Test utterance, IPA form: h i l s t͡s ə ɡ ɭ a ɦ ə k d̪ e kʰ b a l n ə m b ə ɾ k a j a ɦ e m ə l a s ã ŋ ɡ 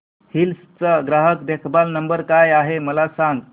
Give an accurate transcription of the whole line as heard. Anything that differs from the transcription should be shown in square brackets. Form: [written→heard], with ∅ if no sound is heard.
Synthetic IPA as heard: h i l s t͡s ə ɡ [ɭ→ɾ] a ɦ ə k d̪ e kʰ b a l n ə m b ə ɾ k a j a ɦ e m ə l a s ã ŋ ɡ

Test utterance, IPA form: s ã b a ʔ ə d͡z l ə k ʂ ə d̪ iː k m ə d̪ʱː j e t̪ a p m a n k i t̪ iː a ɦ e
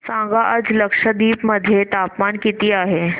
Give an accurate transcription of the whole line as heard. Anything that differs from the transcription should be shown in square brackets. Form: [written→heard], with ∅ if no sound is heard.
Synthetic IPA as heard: s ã [b→ɡ] a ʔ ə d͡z l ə k ʂ ə d̪ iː [k→p] m ə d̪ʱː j e t̪ a p m a n k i t̪ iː a ɦ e

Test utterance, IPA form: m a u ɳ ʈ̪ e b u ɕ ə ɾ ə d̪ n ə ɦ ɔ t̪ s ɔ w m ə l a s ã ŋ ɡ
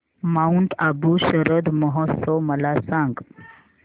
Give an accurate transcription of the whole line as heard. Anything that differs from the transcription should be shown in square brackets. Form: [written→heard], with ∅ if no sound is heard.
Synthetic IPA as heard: m a u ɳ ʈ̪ [e→a] b u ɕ ə ɾ ə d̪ [n→m] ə ɦ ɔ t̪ s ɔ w m ə l a s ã ŋ ɡ

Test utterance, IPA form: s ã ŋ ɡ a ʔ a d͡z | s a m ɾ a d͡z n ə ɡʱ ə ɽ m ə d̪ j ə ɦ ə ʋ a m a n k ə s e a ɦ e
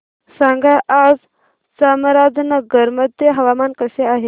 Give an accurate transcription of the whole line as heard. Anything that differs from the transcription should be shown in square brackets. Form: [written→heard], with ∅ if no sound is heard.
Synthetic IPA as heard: s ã ŋ ɡ a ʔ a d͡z | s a m ɾ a d͡z n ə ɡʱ ə [ɽ→ɾ] m ə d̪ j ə ɦ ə ʋ a m a n k ə s e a ɦ e

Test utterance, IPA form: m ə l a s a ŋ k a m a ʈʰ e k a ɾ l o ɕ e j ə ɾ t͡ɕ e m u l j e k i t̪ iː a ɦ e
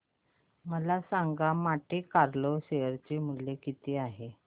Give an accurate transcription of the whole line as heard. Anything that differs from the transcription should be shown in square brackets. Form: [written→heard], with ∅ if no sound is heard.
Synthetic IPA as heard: m ə l a s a ŋ [k→ɡ] a m a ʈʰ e k a ɾ l o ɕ e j ə ɾ t͡ɕ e m u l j e k i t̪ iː a ɦ e

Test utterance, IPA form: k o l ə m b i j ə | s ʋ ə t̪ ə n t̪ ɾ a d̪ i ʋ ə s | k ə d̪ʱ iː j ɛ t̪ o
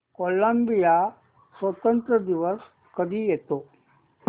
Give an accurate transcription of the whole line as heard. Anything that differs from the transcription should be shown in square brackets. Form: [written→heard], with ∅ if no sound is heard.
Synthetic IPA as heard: k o l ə m b i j [ə→a] | s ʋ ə t̪ ə n t̪ ɾ [a→ə] d̪ i ʋ ə s | k ə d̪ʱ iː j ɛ t̪ o

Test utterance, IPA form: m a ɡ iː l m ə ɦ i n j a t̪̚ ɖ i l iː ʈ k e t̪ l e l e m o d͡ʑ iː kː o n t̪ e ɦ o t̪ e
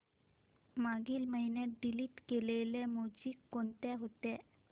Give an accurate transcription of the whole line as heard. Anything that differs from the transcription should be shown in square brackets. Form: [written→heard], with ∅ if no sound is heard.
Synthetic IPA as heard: m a ɡ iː l m ə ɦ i n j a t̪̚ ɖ i l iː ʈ k e [t̪→∅] l e l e m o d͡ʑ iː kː o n t̪ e ɦ o t̪ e

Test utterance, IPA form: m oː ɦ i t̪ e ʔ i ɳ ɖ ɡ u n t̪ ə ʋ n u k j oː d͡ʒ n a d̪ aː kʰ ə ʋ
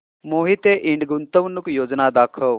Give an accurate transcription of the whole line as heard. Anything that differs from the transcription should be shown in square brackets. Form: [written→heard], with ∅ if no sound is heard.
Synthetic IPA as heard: m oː ɦ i t̪ e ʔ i ɳ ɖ ɡ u n t̪ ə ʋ n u k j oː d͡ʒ n a d̪ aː kʰ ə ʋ

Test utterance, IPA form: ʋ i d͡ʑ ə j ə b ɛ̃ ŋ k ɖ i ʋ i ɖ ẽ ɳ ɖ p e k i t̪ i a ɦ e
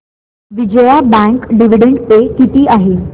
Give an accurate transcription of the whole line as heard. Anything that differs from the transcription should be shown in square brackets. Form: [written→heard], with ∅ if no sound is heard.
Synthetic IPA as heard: ʋ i d͡ʑ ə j [ə→a] b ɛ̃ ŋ k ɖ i ʋ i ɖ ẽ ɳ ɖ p e k i t̪ i a ɦ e

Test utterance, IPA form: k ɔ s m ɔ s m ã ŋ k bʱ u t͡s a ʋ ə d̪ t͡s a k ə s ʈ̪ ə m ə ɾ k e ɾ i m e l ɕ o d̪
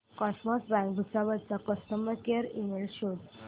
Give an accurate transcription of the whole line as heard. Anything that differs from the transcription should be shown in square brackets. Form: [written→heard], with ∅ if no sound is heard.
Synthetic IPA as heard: k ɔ s m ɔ s [m→b] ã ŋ k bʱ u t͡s a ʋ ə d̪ t͡s a k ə s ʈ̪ ə m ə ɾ k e ɾ i m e l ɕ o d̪

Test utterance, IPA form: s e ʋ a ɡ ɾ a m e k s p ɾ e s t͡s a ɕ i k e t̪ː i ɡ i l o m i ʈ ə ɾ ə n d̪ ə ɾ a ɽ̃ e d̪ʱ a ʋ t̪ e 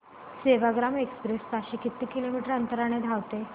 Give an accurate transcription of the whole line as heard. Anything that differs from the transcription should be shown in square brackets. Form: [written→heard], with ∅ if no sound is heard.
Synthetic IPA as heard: s e ʋ a ɡ ɾ a m e k s p ɾ e s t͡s a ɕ i k [e→i] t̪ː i [ɡ→k] i l o m i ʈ ə ɾ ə n [d̪→t̪] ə ɾ a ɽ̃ e d̪ʱ a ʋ t̪ e

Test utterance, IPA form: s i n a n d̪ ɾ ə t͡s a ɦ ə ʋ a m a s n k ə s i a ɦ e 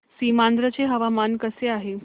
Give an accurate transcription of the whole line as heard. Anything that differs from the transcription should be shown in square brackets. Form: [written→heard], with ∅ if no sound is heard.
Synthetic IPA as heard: s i [n→m] a n d̪ ɾ ə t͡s [a→e] ɦ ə ʋ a m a [s→∅] n k ə s [i→e] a ɦ e

